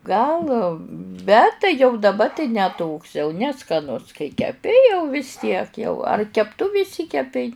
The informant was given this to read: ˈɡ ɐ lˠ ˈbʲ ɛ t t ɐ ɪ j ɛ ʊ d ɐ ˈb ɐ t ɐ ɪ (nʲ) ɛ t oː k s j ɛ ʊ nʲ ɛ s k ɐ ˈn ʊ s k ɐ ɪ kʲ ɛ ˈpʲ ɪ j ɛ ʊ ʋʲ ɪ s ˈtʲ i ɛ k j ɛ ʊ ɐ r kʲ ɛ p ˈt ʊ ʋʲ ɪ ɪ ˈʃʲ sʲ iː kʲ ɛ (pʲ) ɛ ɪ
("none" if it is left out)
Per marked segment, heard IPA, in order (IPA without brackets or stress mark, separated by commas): nʲ, pʲ